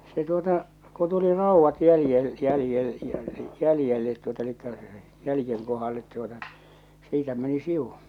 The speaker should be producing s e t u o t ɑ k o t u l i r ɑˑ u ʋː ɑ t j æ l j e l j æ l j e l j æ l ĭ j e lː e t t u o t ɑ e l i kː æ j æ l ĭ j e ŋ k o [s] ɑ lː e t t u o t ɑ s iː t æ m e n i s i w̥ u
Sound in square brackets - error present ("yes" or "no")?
yes